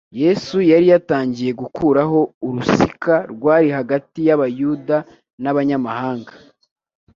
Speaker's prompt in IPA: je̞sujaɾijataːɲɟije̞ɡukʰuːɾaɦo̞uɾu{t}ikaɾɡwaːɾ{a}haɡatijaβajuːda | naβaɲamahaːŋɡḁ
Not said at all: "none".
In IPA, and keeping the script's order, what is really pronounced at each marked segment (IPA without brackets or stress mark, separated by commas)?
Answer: s, i